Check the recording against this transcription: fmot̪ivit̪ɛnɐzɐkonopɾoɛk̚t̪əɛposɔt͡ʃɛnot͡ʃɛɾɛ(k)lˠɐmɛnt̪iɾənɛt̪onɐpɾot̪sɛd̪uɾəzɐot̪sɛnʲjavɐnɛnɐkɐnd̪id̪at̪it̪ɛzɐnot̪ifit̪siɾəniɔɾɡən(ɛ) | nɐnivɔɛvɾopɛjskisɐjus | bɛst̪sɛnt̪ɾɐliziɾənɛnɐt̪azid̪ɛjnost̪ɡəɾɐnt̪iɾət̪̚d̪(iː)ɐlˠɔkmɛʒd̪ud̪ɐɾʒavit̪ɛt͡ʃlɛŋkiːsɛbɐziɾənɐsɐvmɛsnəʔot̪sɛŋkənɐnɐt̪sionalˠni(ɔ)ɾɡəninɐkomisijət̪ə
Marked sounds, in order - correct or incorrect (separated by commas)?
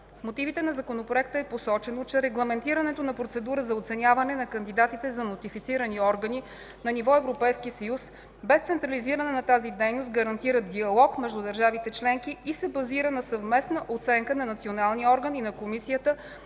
incorrect, incorrect, incorrect, correct